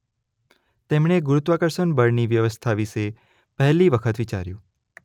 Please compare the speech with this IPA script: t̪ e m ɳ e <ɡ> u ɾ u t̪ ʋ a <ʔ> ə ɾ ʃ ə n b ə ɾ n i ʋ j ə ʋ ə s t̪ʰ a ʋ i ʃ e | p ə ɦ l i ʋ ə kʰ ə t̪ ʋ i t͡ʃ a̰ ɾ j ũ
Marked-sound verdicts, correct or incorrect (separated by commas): correct, incorrect